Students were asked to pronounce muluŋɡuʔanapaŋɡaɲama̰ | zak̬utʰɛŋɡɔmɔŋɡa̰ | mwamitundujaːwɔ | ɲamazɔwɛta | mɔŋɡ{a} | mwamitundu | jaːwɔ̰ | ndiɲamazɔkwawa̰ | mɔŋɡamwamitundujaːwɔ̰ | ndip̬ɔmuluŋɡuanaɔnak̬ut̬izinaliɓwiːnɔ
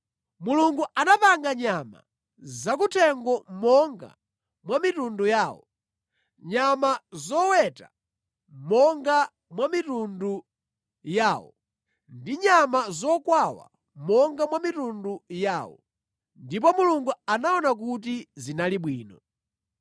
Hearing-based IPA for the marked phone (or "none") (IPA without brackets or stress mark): a